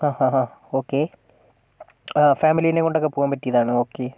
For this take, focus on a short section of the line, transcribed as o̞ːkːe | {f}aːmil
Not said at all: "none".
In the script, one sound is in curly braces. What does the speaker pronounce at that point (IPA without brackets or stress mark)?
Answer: f